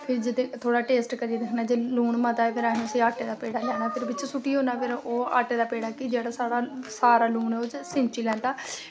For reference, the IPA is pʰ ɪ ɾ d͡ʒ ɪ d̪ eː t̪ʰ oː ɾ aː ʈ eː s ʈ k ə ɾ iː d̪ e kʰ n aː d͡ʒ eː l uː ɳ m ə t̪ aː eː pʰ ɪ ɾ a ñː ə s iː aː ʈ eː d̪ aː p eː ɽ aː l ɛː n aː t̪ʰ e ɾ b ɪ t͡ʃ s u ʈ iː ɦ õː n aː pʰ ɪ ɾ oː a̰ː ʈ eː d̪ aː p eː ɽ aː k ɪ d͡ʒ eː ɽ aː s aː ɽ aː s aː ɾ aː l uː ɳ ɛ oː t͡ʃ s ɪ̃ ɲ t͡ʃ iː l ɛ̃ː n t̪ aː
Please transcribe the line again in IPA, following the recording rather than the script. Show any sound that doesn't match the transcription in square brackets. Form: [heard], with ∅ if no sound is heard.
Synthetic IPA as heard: pʰ ɪ ɾ d͡ʒ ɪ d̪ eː t̪ʰ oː [ɽ] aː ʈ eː s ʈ k ə ɾ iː d̪ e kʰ n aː d͡ʒ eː l uː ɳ m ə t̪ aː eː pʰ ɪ ɾ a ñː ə s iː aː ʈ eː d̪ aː p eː ɽ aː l ɛː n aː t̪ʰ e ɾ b ɪ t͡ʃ s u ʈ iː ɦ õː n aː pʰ ɪ ɾ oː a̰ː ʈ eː d̪ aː p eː ɽ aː k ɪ d͡ʒ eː ɽ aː s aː ɽ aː s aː ɾ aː l uː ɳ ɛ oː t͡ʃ s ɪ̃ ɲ t͡ʃ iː l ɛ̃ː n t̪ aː